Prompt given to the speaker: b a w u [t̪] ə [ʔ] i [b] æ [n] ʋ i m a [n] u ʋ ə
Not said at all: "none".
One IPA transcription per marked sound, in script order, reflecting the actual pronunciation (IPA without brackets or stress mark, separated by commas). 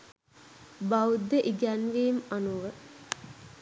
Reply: d̪, ʔ, ɡ, n, n